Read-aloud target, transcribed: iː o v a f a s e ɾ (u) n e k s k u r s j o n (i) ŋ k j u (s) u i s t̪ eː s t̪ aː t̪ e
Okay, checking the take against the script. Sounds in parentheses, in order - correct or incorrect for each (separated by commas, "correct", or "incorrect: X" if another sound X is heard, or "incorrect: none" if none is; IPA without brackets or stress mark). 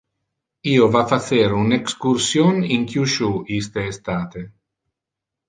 correct, correct, incorrect: ʃ